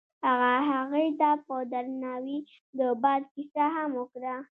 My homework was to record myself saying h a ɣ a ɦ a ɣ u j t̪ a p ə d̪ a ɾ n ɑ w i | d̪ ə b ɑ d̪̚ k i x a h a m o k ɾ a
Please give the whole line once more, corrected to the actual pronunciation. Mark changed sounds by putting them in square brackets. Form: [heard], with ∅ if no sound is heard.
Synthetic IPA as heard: h a ɣ a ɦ a ɣ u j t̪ a p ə d̪ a ɾ n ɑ w i | d̪ ə b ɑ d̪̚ k i [s] a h a m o k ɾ a